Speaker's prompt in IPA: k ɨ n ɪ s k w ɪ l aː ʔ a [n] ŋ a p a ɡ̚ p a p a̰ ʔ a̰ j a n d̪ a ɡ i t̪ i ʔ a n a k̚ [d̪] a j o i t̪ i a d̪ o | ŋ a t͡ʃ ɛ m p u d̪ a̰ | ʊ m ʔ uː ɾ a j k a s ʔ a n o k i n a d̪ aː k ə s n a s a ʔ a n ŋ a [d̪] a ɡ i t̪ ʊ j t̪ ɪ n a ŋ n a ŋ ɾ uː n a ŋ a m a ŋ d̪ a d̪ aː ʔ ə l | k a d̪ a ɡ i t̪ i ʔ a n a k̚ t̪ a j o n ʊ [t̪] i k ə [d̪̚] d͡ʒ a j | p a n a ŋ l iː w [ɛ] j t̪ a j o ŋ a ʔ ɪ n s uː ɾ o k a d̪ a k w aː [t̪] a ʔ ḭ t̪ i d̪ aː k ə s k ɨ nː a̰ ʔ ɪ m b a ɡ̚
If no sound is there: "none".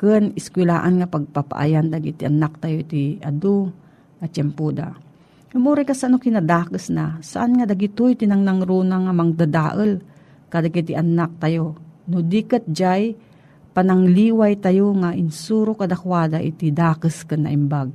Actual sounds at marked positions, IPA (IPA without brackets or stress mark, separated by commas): n, t̪, d̪, d̪, t̪̚, a, d̪